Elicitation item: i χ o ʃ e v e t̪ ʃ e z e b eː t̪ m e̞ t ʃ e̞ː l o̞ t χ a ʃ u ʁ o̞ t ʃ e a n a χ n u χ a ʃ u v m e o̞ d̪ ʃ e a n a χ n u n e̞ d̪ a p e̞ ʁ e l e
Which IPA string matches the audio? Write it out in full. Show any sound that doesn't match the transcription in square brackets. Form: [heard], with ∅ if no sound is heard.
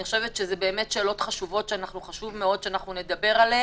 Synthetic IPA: i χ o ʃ e v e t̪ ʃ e z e b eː [∅] m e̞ t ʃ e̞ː l o̞ t χ a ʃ u [v] o̞ t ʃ e a n a χ n u χ a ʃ u v m e o̞ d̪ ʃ e a n a χ n u n e̞ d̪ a [b] e̞ ʁ [a] l e